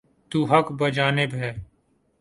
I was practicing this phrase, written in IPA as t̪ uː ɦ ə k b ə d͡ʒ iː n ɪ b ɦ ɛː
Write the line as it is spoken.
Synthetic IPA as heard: t̪ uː ɦ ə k b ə d͡ʒ aː n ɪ b ɦ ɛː